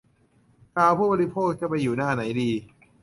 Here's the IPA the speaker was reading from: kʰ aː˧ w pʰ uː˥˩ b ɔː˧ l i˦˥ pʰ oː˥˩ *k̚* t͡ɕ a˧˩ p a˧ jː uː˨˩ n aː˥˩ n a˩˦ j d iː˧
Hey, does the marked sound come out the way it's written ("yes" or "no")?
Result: yes